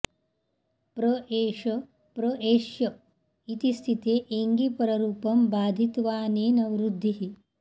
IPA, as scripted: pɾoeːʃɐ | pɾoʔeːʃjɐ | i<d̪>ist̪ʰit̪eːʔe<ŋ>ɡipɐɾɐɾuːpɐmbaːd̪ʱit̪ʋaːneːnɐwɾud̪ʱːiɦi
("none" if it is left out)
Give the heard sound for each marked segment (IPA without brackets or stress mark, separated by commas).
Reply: t̪, ŋ